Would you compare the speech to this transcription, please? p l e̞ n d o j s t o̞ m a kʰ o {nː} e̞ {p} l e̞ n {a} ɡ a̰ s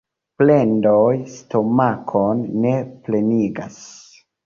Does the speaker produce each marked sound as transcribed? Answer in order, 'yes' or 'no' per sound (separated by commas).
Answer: yes, yes, no